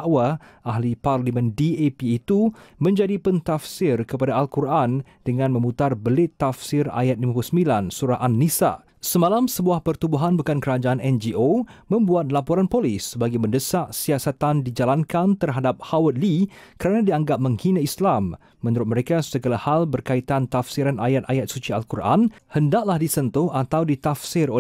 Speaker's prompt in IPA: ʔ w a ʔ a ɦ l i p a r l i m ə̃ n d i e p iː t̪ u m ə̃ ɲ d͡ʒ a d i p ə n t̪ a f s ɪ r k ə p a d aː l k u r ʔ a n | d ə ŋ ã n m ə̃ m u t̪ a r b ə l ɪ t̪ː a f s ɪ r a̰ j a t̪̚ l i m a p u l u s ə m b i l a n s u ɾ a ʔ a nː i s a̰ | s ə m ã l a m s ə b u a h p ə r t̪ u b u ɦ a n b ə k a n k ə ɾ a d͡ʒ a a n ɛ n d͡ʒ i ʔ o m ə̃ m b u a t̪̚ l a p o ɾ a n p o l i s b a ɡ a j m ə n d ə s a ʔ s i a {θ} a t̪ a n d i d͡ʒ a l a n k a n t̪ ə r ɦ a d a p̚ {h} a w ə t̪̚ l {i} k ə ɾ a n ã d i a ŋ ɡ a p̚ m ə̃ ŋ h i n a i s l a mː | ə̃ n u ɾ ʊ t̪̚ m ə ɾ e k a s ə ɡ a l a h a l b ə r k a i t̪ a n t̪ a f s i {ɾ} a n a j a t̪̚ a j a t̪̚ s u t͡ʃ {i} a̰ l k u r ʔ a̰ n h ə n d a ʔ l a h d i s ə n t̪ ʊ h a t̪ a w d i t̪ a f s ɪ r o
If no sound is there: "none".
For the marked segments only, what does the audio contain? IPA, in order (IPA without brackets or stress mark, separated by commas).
s, h, i, ɾ, i